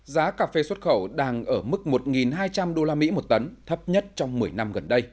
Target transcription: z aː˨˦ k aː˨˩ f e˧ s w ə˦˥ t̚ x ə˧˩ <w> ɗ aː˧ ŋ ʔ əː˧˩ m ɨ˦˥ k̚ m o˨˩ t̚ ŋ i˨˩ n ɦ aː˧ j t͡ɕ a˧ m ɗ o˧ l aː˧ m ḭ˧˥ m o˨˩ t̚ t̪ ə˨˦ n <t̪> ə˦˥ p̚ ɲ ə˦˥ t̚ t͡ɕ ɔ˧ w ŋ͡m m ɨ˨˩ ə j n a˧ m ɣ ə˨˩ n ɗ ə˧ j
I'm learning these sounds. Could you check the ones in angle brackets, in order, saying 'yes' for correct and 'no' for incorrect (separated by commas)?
yes, no